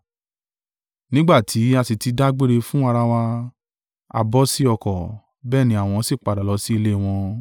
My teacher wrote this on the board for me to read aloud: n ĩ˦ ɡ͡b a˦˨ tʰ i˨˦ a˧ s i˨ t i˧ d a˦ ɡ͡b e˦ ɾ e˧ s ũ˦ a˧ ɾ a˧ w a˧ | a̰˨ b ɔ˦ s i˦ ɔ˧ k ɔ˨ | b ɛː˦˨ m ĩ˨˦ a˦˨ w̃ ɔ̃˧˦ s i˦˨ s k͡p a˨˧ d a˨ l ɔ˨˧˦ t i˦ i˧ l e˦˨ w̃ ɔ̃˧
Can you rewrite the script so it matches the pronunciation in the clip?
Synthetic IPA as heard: n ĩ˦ ɡ͡b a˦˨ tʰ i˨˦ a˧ s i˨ t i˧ d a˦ ɡ͡b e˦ ɾ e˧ f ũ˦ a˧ ɾ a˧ w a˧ | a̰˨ b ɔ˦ s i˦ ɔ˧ k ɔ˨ | b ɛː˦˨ n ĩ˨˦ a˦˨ w̃ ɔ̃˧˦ s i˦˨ k͡p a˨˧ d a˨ l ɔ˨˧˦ s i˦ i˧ l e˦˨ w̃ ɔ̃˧